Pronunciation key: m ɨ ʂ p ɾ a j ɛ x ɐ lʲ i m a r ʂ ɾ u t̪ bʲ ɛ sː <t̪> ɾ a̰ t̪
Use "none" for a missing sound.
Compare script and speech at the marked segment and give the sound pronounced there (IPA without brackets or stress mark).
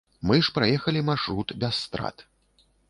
t̪